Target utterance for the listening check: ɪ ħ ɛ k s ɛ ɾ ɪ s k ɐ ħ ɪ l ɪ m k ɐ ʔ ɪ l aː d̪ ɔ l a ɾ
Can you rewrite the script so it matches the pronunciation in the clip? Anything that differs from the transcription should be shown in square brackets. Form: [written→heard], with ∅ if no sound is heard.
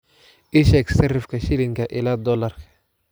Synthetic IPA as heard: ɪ [ħ→ʃ] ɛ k s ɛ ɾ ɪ [s→f] k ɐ [ħ→ʃ] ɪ l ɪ [m→ŋ] k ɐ ʔ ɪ l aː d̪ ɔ l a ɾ